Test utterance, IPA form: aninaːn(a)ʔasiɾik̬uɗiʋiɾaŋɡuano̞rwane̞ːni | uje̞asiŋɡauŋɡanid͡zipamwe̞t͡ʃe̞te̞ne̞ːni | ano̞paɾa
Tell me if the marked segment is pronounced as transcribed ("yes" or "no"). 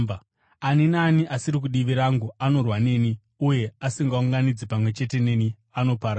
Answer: no